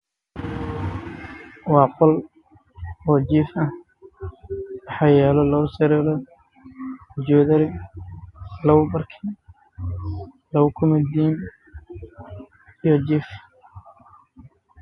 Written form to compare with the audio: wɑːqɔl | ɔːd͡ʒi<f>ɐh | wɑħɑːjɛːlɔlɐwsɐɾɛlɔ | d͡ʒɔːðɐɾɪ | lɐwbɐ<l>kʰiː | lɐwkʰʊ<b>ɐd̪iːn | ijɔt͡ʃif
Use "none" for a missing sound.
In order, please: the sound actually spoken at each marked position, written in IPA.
f, r, m

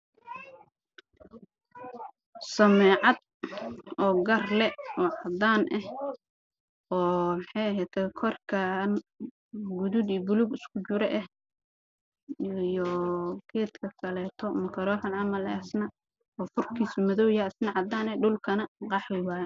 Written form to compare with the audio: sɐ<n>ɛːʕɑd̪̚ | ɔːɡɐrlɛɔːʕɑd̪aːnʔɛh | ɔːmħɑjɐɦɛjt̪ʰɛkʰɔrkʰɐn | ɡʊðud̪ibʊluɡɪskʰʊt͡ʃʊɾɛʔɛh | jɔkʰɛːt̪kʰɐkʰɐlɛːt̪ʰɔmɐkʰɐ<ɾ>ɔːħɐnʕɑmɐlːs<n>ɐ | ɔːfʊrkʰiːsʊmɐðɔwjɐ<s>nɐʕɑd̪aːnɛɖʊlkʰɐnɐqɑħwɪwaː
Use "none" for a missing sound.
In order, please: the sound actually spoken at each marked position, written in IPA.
m, ɾ, n, s

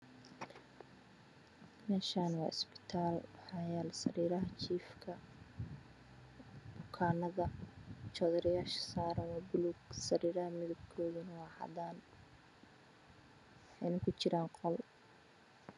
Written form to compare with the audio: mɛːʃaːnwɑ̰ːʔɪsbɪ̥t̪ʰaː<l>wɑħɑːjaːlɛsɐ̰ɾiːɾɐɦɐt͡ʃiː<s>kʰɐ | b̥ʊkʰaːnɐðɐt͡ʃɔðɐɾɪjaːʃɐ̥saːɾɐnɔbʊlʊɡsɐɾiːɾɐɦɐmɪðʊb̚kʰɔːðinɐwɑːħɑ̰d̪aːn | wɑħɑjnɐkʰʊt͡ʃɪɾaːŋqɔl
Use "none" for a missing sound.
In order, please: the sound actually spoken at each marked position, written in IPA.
l, f

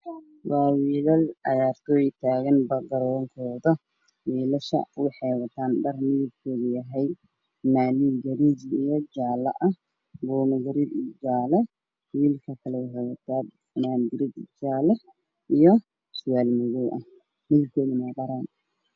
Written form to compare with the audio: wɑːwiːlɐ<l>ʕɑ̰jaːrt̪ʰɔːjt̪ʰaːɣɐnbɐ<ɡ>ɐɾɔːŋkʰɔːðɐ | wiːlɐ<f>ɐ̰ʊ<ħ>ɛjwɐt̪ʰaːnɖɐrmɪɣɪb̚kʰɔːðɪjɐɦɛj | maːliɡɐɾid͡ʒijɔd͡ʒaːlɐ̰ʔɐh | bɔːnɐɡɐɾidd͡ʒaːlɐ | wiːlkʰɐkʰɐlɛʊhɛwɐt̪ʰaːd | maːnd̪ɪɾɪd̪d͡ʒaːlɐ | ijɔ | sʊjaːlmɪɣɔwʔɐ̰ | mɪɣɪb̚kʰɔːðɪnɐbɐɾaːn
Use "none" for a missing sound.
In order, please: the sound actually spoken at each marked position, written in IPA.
l, ɡ, ʃ, ħ

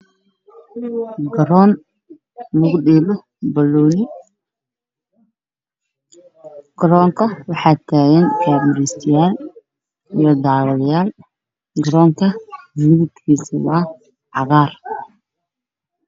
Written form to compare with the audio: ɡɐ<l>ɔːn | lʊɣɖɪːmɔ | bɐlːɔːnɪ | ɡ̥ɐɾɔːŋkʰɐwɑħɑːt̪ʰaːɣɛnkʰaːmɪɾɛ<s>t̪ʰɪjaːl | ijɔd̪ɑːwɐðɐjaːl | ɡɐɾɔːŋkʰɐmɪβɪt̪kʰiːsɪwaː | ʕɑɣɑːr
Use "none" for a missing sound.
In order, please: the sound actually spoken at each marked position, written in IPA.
ɾ, s

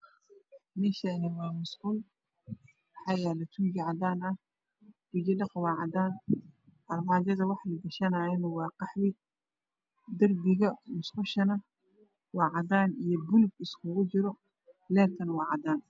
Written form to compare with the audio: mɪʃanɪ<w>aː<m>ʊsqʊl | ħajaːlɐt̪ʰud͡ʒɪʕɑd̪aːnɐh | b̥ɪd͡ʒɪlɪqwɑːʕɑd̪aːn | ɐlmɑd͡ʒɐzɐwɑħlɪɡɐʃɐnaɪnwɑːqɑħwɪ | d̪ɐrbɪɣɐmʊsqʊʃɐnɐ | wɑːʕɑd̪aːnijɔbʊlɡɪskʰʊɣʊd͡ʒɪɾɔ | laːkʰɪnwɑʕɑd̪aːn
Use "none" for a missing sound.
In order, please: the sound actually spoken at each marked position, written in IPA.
w, m

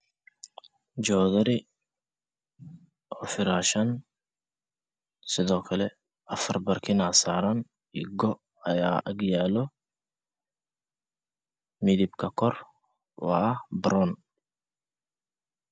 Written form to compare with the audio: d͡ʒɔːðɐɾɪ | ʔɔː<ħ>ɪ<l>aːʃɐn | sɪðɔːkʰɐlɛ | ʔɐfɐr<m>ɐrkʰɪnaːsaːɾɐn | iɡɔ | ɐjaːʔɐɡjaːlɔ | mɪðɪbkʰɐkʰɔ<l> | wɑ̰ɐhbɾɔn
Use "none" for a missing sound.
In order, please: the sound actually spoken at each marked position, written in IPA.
f, ɾ, b, r

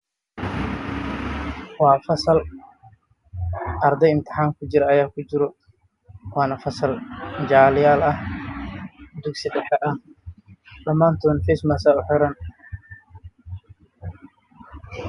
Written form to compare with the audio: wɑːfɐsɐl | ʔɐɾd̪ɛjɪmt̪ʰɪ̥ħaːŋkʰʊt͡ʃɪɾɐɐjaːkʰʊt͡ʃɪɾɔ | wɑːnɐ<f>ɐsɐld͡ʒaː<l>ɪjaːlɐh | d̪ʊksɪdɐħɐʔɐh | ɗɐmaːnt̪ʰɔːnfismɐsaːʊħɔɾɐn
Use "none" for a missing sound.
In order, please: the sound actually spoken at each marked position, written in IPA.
f, l

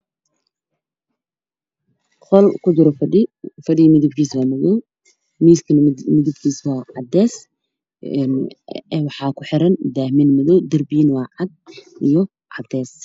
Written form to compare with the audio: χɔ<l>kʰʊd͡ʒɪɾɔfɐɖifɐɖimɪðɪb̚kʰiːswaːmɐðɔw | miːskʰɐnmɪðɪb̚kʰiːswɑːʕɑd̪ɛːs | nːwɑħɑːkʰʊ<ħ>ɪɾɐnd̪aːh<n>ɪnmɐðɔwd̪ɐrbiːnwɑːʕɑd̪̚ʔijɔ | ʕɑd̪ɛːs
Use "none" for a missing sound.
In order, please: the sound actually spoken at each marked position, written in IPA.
l, ħ, m

